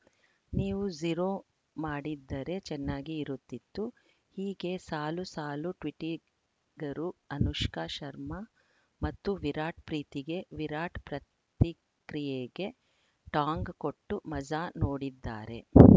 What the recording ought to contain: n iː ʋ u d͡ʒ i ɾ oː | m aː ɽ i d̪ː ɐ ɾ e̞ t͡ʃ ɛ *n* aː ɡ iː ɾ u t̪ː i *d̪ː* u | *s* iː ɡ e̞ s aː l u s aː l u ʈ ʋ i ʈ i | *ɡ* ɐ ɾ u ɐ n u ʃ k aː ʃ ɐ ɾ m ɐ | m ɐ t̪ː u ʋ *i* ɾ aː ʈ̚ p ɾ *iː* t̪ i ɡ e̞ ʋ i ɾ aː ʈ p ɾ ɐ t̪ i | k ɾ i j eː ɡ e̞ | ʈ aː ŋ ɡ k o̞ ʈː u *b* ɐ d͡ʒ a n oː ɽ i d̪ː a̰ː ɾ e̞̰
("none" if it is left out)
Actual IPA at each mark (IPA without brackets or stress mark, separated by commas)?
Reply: nː, t̪ː, h, ɡ, i, iː, m